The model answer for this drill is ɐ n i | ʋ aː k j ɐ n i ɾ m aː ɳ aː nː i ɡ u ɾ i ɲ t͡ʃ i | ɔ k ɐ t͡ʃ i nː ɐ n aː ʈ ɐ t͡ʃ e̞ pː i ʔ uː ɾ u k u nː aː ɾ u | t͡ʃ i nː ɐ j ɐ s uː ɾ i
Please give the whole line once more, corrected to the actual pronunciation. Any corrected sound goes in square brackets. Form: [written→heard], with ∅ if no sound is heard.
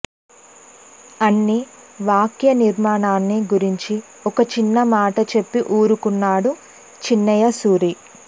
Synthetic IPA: ɐ [n→nː] i | ʋ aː k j ɐ n i ɾ m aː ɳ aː nː i ɡ u ɾ i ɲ t͡ʃ i | ɔ k ɐ t͡ʃ i nː ɐ [n→m] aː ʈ ɐ t͡ʃ e̞ pː i ʔ uː ɾ u k u nː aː [ɾ→ɽ] u | t͡ʃ i nː ɐ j ɐ s uː ɾ i

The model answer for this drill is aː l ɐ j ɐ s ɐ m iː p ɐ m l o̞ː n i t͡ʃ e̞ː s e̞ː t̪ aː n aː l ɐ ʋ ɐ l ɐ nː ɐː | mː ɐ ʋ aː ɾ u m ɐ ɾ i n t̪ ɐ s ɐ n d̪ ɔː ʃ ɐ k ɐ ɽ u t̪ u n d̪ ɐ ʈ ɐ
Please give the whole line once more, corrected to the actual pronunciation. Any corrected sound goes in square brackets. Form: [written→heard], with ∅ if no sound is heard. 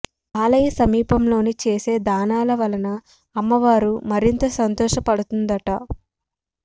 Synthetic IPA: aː l ɐ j ɐ s ɐ m iː p ɐ m l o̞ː n i t͡ʃ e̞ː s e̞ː [t̪→d̪] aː n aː l ɐ ʋ ɐ l ɐ [nː→n] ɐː | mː ɐ ʋ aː ɾ u m ɐ ɾ i n t̪ ɐ s ɐ n [d̪→t̪] ɔː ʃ ɐ [k→p] ɐ ɽ u t̪ u n d̪ ɐ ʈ ɐ

